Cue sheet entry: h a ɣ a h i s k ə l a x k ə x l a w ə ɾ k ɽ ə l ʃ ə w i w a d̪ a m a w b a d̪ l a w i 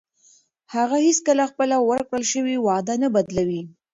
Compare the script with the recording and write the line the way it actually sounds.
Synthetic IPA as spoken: h a ɣ a h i s k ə l a x p ə l a w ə ɾ k ɽ ə l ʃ ə w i w ɑ d̪ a n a b a d̪ l a w i